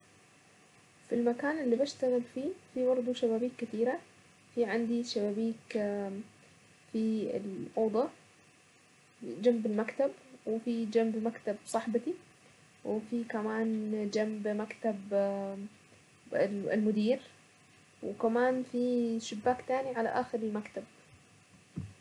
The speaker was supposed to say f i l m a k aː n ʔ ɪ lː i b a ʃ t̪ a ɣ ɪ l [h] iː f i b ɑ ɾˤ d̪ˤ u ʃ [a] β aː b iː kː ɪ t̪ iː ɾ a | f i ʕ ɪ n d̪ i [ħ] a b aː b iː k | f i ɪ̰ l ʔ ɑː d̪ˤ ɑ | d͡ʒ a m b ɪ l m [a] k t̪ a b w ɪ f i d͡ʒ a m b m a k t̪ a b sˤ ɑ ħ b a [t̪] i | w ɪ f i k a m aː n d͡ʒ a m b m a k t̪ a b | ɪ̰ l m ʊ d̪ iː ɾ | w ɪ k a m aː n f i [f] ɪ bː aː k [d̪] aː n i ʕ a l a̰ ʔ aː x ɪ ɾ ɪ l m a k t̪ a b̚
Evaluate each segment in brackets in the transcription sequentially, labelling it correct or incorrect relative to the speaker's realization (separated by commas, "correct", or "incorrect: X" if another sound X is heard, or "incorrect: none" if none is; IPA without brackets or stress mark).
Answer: incorrect: f, correct, incorrect: ʃ, correct, correct, incorrect: ʃ, incorrect: t̪